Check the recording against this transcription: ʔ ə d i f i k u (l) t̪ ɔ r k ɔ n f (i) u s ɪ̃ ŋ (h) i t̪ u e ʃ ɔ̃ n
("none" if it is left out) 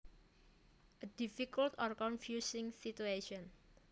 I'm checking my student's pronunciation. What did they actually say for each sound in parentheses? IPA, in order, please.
l, j, s

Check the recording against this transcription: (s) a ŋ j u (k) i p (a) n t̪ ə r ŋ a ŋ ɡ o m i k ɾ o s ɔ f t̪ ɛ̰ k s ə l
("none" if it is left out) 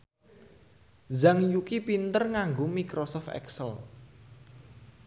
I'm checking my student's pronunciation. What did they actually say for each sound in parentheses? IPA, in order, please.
z, k, i

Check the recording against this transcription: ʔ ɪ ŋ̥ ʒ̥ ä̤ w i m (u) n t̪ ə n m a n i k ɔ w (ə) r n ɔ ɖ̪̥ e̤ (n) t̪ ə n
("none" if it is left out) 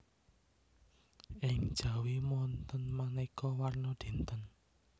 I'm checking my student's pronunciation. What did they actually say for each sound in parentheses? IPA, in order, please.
ɔ, a, n

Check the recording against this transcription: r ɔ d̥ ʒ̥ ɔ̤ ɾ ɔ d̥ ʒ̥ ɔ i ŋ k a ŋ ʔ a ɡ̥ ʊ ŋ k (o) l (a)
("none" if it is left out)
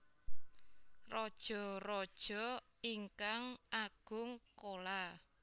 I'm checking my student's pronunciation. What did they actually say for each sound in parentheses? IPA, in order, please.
o, a

